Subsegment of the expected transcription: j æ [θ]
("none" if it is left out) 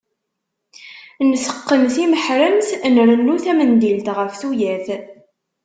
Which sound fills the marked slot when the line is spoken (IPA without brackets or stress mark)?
θ